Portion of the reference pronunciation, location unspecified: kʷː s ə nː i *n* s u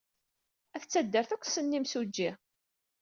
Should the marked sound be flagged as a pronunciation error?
yes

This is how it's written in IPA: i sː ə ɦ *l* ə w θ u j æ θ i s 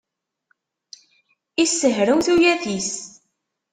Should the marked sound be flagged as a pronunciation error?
yes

